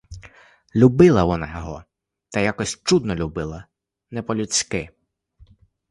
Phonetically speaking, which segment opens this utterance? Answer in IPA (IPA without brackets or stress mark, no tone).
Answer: lʲ